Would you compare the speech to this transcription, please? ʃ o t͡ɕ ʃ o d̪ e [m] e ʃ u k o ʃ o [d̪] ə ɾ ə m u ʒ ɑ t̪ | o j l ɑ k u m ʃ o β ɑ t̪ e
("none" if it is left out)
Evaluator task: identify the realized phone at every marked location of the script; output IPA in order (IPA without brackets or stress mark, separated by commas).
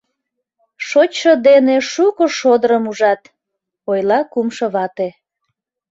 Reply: n, d̪